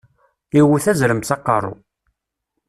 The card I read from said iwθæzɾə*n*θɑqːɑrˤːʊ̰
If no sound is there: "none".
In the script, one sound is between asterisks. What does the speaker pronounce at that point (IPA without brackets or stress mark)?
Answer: m